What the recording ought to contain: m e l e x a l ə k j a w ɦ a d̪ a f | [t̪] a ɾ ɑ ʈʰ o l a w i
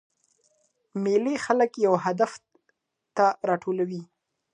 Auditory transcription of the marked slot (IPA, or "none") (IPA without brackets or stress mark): t̪